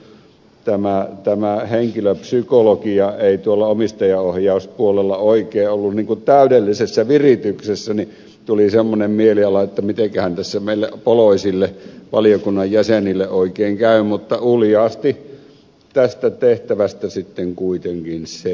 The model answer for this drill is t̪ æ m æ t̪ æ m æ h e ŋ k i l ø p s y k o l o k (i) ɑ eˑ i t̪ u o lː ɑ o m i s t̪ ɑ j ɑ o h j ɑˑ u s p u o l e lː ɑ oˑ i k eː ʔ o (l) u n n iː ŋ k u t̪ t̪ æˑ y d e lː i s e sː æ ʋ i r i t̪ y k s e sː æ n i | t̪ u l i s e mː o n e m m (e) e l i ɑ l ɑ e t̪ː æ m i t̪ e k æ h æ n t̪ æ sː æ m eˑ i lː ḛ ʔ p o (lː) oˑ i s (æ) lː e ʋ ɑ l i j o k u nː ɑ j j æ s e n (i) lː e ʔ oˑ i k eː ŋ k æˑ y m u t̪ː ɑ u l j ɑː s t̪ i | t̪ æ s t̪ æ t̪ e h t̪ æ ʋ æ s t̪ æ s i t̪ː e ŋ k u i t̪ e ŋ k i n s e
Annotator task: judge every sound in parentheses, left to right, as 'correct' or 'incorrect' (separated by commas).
correct, incorrect, incorrect, incorrect, incorrect, correct